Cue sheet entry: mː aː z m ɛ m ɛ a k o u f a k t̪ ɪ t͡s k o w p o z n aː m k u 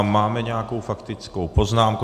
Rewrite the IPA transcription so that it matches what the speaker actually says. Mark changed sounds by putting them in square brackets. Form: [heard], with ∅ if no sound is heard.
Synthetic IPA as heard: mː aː [∅] m ɛ [ɲ] ɛ a k o [w] f a k t̪ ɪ t͡s k o w p o z n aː m k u

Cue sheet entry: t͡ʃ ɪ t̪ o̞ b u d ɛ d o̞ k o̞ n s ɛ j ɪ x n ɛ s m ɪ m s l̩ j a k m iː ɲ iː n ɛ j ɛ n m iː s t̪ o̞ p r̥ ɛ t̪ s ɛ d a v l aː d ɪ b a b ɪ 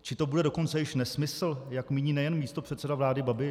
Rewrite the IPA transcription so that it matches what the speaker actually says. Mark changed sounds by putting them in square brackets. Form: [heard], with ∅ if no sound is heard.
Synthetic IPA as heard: t͡ʃ ɪ t̪ o̞ b u d ɛ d o̞ k o̞ n [t͡s] ɛ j ɪ [ʃ] n ɛ s m ɪ [∅] s l̩ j a k m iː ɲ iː n ɛ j ɛ n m iː s t̪ o̞ p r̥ ɛ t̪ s ɛ d a v l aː d ɪ b a b ɪ

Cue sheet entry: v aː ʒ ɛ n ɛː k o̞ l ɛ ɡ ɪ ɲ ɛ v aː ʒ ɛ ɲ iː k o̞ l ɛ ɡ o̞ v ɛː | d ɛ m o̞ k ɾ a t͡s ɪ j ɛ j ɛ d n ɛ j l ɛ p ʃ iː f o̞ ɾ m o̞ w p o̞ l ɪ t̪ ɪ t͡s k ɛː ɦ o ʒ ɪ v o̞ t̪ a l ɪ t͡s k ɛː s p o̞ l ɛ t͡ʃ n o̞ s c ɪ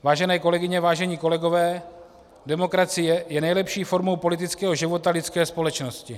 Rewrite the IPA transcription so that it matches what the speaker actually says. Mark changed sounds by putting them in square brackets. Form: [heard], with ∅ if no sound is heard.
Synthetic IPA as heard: v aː ʒ ɛ n ɛː k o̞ l ɛ ɡ ɪ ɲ ɛ v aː ʒ ɛ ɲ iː k o̞ l ɛ ɡ o̞ v ɛː | d ɛ m o̞ k ɾ a t͡s ɪ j ɛ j ɛ [∅] n ɛ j l ɛ p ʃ iː f o̞ ɾ m o̞ w p o̞ l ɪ t̪ ɪ t͡s k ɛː ɦ o ʒ ɪ v o̞ t̪ a l ɪ t͡s k ɛː s p o̞ l ɛ t͡ʃ n o̞ s c ɪ

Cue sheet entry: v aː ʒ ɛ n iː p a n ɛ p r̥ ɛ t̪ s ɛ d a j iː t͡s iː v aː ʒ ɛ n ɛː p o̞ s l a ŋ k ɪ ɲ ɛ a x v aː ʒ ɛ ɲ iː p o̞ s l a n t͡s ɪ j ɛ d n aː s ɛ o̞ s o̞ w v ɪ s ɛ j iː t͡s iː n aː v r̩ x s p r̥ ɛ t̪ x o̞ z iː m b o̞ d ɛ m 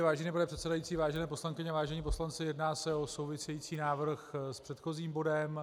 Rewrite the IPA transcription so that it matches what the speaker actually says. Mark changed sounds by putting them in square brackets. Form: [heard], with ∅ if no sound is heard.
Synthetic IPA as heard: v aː ʒ ɛ n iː p a n ɛ p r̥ ɛ t̪ s ɛ d a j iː t͡s iː v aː ʒ ɛ n ɛː p o̞ s l a ŋ k ɪ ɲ ɛ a [∅] v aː ʒ ɛ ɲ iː p o̞ s l a n t͡s ɪ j ɛ d n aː s ɛ o̞ s o̞ w v ɪ s ɛ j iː t͡s iː n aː v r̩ x s p r̥ ɛ t̪ x o̞ z iː m b o̞ d ɛ m

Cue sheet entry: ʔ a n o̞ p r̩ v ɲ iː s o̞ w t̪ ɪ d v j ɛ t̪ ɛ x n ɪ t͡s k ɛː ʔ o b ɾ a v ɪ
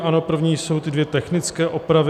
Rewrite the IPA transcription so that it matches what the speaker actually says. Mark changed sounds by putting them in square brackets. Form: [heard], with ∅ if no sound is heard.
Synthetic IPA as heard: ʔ a n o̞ p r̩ v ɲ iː s o̞ w t̪ ɪ d v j ɛ t̪ ɛ x n ɪ t͡s k ɛː ʔ o [p] ɾ a v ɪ

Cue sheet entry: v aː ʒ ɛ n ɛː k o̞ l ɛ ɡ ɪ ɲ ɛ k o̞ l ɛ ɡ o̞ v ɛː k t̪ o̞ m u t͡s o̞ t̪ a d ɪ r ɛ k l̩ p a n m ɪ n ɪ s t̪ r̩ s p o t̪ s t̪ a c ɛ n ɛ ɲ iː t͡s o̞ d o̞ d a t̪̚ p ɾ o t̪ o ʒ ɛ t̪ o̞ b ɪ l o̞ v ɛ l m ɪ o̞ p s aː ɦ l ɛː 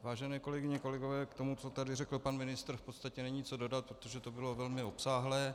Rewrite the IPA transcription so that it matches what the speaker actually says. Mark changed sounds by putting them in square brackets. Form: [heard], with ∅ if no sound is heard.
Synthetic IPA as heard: v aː ʒ ɛ n ɛː k o̞ l ɛ ɡ ɪ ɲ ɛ k o̞ l ɛ ɡ o̞ v ɛː k t̪ o̞ m u t͡s o̞ t̪ a d ɪ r ɛ k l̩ p a n m ɪ n ɪ s t̪ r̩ [f] p o t̪ s t̪ a c ɛ n ɛ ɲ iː t͡s o̞ d o̞ d a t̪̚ p ɾ o t̪ o ʒ ɛ t̪ o̞ b ɪ l o̞ v ɛ l m ɪ o̞ p s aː ɦ l ɛː

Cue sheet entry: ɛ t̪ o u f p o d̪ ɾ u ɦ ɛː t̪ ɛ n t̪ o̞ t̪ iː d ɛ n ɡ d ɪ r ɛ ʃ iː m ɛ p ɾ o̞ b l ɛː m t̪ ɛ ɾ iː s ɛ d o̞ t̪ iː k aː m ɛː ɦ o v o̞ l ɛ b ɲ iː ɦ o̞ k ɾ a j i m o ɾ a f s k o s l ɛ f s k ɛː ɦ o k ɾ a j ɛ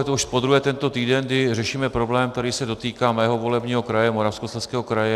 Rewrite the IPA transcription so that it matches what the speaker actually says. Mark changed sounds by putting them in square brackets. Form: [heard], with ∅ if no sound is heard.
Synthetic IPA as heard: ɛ t̪ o u [ʃ] p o d̪ ɾ u ɦ ɛː t̪ ɛ n t̪ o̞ t̪ iː d ɛ n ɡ d ɪ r ɛ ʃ iː m ɛ p ɾ o̞ b l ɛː m t̪ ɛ ɾ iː s ɛ d o̞ t̪ iː k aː m ɛː ɦ o v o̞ l ɛ b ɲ iː ɦ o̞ k ɾ a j [ɛ] m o ɾ a f s k o s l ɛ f s k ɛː ɦ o k ɾ a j ɛ

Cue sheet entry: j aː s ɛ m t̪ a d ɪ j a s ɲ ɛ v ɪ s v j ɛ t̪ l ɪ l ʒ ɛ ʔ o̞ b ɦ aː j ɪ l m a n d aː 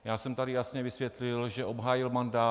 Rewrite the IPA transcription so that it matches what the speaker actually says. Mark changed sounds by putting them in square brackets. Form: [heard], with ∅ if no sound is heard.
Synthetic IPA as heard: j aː s ɛ m t̪ a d ɪ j a s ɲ ɛ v ɪ s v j ɛ t̪ l ɪ l ʒ ɛ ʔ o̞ b ɦ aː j ɪ l m a n d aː

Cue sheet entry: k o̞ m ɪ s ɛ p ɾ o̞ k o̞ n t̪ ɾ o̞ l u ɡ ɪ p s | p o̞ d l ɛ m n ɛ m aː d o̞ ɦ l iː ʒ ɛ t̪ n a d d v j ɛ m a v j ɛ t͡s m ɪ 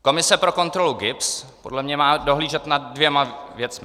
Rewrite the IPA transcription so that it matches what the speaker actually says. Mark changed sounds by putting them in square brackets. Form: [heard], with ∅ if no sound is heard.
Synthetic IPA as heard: k o̞ m ɪ s ɛ p ɾ o̞ k o̞ n t̪ ɾ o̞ l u ɡ ɪ p s | p o̞ d l ɛ m [ɲ] ɛ m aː d o̞ ɦ l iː ʒ ɛ t̪ n a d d v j ɛ m a v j ɛ t͡s m ɪ

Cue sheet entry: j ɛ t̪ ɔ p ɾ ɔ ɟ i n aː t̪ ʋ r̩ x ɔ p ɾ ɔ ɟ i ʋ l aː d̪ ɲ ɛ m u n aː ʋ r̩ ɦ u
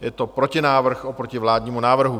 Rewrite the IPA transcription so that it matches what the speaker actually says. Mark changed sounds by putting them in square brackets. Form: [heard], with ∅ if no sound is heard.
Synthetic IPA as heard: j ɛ t̪ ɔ p ɾ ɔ [c] i n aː [∅] ʋ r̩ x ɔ p ɾ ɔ [c] i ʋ l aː d̪ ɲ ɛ m u n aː ʋ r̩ ɦ u

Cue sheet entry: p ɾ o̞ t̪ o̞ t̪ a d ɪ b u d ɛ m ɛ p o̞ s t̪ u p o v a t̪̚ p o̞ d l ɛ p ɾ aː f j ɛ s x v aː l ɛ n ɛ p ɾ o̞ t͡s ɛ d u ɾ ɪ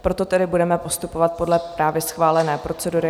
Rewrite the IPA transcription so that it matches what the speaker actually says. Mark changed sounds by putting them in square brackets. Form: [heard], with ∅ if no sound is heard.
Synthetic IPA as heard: p ɾ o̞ t̪ o̞ t̪ [ɛ] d ɪ b u d ɛ m ɛ p o̞ s t̪ u p o v a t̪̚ p o̞ d l ɛ p ɾ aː [v] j ɛ s x v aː l ɛ n [ɛː] p ɾ o̞ t͡s ɛ d u ɾ ɪ

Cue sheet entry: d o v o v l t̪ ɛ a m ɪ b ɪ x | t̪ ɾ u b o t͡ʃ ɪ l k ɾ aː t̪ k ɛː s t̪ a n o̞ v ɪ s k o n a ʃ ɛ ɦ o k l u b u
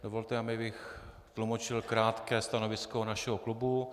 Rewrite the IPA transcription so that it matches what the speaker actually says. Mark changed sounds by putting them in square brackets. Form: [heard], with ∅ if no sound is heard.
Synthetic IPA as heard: d o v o [∅] l t̪ ɛ a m ɪ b ɪ x | t̪ [l] u [m] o t͡ʃ ɪ l k ɾ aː t̪ k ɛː s t̪ a n o̞ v ɪ s k o n a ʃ ɛ ɦ o k l u b u

